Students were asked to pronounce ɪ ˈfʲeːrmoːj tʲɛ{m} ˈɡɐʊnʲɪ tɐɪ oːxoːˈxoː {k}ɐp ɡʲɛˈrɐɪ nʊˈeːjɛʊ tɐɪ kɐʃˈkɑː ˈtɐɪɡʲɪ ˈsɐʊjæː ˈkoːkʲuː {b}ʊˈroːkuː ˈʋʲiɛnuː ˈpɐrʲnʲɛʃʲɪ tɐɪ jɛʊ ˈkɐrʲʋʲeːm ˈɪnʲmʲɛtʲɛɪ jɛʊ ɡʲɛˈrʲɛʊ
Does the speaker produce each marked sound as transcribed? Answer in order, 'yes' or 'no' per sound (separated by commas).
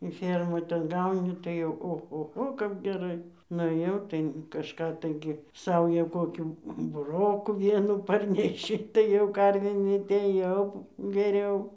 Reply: no, yes, yes